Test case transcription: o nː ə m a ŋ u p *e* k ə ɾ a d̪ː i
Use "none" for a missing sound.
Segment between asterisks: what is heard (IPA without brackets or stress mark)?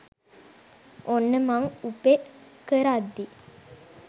e